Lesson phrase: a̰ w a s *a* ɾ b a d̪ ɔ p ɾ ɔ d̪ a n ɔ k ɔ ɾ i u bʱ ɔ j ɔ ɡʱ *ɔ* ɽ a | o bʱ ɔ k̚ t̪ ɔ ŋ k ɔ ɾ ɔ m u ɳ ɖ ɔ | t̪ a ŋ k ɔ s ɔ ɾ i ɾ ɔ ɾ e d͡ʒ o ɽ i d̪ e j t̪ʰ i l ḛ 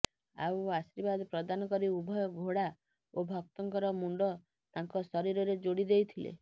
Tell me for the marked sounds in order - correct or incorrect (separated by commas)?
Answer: incorrect, incorrect